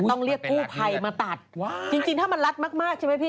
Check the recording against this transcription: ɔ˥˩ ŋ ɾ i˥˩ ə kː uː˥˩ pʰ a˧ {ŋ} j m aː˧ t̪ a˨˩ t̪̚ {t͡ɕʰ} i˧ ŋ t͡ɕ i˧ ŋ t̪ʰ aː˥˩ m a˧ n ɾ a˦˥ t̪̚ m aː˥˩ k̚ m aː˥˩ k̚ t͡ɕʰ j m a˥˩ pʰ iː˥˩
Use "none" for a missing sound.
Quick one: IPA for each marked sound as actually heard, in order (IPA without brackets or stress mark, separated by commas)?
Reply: none, t͡ɕ